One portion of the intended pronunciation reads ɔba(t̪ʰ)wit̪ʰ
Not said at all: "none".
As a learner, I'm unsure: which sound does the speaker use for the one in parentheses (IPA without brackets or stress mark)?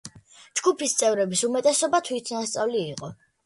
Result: t̪ʰ